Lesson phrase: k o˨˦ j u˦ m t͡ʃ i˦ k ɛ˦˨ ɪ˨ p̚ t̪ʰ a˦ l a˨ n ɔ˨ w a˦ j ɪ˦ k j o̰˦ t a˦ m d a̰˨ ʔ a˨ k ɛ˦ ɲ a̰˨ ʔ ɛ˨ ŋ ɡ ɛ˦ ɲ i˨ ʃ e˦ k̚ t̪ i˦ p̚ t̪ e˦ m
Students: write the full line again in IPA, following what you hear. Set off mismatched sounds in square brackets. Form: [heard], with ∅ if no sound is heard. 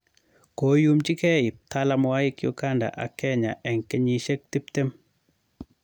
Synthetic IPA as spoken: k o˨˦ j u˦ m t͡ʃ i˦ k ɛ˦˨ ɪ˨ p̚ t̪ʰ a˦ l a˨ [m] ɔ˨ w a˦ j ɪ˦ k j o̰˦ [k] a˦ [n] d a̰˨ ʔ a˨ k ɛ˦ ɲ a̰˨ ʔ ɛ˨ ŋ [k] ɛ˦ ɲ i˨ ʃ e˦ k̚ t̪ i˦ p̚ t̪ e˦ m